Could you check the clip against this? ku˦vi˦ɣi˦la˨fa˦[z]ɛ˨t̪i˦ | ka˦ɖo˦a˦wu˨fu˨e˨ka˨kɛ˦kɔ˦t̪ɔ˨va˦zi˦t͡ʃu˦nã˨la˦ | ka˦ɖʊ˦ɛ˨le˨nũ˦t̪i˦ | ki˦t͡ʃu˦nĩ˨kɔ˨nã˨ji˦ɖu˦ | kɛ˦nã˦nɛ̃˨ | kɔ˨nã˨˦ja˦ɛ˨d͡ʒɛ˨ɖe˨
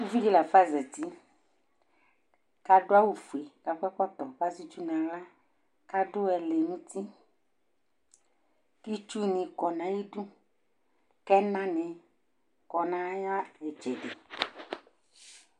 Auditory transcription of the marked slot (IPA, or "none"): z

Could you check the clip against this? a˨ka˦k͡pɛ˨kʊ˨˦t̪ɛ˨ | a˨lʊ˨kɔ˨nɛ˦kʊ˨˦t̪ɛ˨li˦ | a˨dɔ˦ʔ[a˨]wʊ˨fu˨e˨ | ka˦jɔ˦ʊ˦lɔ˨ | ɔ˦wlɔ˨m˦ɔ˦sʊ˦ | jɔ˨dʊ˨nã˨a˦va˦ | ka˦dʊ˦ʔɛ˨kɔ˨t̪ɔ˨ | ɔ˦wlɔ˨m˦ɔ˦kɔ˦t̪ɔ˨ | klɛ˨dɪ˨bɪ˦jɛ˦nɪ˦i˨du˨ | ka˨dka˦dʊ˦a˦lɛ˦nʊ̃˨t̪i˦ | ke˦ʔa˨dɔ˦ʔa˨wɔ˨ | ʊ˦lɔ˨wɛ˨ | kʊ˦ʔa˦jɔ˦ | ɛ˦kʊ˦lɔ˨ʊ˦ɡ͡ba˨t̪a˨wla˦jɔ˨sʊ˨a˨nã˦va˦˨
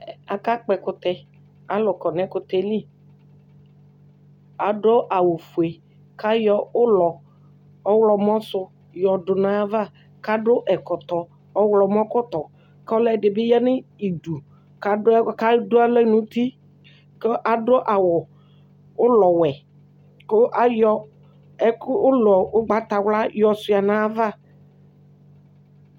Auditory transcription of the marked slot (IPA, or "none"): a˨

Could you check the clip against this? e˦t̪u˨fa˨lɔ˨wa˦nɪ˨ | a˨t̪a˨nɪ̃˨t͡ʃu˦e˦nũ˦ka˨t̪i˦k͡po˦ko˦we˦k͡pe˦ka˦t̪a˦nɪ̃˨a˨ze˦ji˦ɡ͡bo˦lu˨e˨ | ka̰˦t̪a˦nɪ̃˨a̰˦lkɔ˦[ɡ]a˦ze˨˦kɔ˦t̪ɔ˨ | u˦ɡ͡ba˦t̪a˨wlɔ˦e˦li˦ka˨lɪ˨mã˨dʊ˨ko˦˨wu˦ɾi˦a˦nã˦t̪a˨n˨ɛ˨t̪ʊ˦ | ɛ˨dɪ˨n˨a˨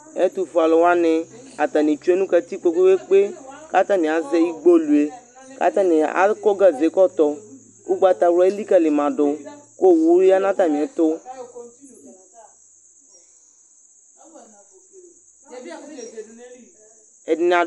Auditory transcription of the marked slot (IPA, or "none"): ɡ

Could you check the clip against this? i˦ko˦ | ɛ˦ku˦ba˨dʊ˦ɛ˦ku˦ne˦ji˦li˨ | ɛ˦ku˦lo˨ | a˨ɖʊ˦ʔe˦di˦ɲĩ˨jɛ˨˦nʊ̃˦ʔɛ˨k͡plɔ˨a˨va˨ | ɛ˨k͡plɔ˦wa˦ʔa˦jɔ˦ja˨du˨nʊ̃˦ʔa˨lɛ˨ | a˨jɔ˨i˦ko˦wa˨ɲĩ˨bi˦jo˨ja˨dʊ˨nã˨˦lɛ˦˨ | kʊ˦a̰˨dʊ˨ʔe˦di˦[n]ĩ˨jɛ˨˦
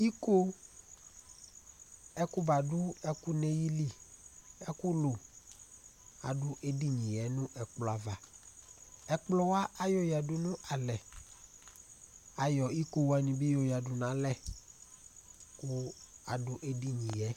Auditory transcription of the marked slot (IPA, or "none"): ɲ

